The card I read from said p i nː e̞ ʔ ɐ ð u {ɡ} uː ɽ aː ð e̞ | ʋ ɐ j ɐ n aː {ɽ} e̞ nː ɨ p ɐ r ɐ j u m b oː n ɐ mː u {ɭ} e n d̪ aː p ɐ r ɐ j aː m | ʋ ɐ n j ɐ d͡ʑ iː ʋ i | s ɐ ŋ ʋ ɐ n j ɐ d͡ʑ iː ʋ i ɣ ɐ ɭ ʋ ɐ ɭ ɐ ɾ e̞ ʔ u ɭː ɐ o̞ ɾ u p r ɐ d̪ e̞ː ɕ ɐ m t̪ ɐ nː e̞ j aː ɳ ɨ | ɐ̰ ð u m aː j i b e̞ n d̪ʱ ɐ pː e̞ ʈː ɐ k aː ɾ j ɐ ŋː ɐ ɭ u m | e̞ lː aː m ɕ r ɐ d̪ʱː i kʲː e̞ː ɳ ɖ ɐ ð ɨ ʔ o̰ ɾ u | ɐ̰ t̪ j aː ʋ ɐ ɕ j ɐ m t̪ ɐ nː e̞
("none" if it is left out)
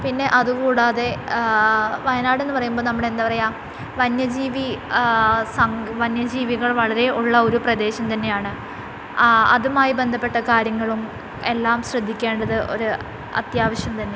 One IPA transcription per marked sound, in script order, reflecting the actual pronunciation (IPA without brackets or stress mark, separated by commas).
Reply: k, ɽ, ɽ